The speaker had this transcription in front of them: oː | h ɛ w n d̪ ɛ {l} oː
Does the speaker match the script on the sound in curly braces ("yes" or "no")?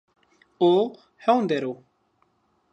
no